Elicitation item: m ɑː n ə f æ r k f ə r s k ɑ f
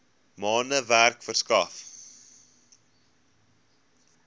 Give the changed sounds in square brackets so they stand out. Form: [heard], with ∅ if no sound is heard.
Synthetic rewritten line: m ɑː n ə [v] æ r k f ə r s k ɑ f